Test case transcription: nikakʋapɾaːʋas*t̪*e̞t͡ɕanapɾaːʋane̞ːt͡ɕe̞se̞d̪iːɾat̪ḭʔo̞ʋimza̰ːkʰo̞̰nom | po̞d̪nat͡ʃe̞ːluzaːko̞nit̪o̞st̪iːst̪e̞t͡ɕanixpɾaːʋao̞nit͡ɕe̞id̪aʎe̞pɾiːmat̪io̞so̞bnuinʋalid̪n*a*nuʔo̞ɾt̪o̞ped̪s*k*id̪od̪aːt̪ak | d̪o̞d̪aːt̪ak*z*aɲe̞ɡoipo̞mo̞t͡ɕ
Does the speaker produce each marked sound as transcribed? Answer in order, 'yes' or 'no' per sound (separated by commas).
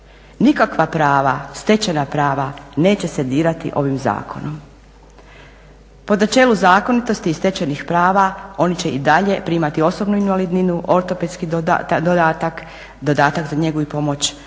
yes, no, yes, yes